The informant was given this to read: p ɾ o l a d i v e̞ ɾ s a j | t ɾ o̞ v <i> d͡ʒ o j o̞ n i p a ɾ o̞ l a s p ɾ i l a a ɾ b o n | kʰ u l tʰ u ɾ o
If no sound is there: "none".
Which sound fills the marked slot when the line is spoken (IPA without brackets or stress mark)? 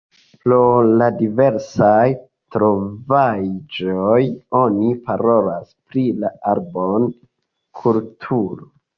a